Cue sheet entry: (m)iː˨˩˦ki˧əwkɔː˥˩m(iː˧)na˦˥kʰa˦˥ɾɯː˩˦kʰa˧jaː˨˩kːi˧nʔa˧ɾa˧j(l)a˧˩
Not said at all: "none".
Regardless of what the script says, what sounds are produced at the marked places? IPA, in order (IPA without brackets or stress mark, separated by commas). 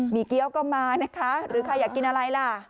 m, aː˧, l